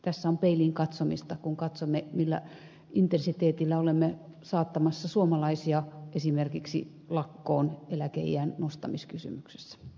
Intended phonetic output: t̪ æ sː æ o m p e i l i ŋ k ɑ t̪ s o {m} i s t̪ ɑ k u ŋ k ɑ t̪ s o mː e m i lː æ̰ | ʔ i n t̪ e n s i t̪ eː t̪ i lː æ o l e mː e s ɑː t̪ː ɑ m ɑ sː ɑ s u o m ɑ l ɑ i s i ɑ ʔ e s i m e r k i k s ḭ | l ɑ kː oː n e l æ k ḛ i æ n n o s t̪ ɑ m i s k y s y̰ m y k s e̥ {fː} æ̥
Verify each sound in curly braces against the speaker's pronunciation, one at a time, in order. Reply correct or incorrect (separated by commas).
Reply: correct, incorrect